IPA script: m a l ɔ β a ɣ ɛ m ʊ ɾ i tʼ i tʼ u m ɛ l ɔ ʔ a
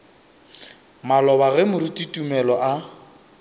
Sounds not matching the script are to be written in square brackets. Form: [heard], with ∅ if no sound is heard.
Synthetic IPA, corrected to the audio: m a l ɔ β a ɣ ɛ m ʊ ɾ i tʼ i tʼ u m ɛ l ɔ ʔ a